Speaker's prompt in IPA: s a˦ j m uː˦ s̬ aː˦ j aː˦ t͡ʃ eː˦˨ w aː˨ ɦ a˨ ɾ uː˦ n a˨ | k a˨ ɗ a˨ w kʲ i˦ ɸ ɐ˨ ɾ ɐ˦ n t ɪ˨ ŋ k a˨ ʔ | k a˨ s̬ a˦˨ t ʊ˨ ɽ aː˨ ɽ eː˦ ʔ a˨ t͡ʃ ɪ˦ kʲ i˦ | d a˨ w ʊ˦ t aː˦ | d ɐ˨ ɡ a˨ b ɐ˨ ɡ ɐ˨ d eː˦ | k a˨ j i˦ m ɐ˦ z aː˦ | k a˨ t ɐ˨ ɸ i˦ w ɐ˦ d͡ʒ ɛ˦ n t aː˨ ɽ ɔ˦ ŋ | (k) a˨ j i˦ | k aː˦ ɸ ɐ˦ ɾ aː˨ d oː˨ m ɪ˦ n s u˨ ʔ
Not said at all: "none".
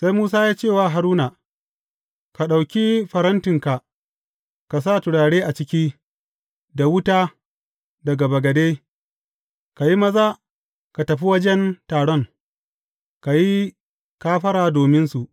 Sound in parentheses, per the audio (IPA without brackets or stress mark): k